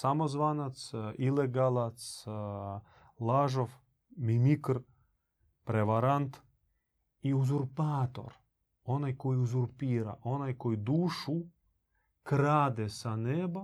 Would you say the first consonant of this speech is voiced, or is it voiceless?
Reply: voiceless